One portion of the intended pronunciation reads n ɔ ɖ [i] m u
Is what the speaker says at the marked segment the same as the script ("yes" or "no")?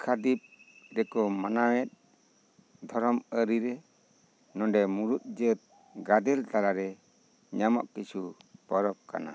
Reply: no